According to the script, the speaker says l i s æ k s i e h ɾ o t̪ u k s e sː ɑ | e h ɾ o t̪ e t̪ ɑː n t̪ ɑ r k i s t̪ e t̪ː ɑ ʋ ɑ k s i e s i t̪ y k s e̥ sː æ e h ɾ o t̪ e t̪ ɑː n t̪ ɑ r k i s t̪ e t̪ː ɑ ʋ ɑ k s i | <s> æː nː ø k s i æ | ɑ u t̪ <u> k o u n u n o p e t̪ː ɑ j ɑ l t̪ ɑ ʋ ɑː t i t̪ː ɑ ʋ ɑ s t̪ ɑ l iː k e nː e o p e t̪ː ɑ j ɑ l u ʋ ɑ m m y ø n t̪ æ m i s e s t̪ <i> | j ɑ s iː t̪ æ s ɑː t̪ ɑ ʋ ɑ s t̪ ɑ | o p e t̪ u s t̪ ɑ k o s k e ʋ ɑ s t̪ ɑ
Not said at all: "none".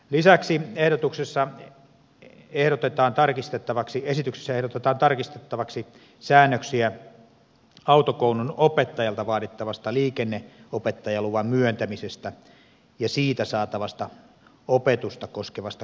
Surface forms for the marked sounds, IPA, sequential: s, o, æ

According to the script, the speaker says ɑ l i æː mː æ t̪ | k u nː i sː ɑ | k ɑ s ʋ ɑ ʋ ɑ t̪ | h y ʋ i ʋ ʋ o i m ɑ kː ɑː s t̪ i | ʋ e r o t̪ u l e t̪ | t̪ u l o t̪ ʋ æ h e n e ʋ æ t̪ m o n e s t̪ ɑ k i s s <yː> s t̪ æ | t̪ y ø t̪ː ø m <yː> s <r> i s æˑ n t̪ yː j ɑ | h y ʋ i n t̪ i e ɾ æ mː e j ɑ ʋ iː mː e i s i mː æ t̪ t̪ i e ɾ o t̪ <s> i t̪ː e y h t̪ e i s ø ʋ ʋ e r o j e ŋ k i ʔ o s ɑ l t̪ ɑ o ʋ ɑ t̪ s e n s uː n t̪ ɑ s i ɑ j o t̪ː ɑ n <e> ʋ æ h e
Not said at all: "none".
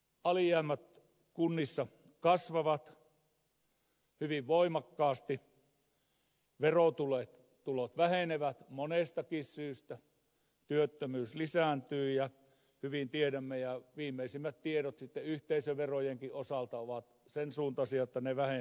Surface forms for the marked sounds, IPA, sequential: yː, yː, l, s, e

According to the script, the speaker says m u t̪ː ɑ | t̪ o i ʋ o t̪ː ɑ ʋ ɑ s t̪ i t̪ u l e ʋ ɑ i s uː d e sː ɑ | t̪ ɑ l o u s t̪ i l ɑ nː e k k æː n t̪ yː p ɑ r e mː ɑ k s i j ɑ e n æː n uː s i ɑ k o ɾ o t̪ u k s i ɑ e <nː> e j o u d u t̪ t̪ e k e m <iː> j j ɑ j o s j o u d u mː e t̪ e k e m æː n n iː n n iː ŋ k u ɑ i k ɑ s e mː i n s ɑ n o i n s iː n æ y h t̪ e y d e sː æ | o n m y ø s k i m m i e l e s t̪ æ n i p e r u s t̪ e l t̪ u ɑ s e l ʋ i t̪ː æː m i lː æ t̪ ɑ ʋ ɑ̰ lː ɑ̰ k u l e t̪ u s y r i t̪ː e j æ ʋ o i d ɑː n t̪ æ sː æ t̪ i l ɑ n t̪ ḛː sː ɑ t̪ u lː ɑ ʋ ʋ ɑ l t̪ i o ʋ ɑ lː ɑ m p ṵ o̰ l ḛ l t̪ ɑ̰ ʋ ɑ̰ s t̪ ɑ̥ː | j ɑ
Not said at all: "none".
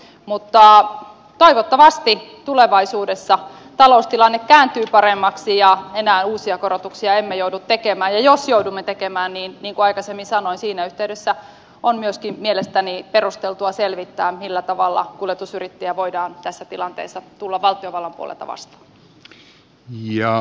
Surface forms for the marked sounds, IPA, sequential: mː, æː

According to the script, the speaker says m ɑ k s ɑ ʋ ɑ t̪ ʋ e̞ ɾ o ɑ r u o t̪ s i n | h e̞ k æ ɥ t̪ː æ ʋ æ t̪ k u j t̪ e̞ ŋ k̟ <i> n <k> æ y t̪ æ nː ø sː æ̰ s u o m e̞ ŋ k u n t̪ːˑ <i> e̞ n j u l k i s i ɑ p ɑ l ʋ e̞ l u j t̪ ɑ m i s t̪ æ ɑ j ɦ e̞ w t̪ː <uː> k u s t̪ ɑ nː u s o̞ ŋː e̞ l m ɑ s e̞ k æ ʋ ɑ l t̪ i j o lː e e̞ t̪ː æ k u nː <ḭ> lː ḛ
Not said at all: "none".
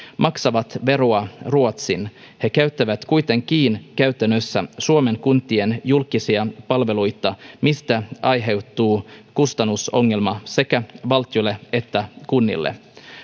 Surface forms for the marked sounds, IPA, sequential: iː, k, i, uː, ḭ

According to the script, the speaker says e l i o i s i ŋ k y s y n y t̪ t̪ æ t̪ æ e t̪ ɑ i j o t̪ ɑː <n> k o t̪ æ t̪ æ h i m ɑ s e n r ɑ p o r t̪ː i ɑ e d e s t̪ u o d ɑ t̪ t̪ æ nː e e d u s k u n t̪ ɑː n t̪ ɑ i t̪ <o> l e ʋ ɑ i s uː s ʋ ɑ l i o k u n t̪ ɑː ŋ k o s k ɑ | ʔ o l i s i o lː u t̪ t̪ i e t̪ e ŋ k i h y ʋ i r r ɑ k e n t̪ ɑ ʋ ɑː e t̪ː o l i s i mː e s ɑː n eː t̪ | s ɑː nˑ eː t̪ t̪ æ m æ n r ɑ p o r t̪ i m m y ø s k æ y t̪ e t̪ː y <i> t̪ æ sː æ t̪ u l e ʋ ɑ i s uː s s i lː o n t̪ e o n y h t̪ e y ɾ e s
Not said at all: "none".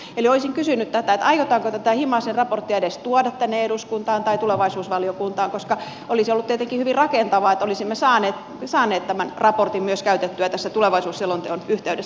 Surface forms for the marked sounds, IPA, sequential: ŋ, u, æ

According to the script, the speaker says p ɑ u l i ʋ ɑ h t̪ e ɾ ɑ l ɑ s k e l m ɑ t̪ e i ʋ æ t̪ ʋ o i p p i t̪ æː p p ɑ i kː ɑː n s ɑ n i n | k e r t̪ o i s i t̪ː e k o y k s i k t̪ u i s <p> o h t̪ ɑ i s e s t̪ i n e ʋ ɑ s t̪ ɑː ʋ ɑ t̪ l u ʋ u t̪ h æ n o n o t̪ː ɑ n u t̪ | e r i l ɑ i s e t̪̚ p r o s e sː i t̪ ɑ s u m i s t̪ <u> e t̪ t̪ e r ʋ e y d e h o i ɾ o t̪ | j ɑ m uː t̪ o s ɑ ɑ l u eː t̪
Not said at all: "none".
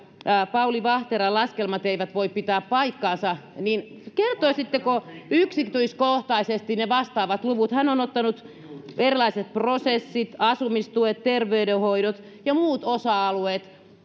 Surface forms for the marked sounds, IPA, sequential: k, u

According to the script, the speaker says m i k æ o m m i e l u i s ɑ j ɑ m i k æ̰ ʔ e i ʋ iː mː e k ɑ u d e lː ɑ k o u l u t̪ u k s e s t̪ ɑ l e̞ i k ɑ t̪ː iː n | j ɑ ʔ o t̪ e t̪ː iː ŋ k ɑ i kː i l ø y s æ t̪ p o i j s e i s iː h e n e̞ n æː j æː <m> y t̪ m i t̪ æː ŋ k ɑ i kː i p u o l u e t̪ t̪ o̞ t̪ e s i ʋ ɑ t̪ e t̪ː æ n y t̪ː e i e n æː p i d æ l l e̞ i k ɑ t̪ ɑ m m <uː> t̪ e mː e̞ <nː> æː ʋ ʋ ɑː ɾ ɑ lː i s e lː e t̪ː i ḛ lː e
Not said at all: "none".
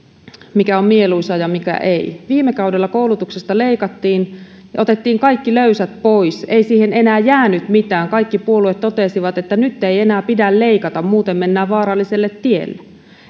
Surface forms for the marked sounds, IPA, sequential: n, uː, nː

